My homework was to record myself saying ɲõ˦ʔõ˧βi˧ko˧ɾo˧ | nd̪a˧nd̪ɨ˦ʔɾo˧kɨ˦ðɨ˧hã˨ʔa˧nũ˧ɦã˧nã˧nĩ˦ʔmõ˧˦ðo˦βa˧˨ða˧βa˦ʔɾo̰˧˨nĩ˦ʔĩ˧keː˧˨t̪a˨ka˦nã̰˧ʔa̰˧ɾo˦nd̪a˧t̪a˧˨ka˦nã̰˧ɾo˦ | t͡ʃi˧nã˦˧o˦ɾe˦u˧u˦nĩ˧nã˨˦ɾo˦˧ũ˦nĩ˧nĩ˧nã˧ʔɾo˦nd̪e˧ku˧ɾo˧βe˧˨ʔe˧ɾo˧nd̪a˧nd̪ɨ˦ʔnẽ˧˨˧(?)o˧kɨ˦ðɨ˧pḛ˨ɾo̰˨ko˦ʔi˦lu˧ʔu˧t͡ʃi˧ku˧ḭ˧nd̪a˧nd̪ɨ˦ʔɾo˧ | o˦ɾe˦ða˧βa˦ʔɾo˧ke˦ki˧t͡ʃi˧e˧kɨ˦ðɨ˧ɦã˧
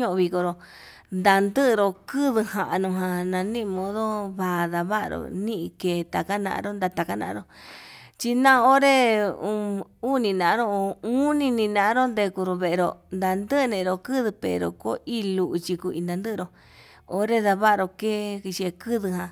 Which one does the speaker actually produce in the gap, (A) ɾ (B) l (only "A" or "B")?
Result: A